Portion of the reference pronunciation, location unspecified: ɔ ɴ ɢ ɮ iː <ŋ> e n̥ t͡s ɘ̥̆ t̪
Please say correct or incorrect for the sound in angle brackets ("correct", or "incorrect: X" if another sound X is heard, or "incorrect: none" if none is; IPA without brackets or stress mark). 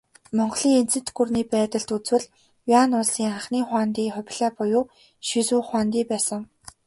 correct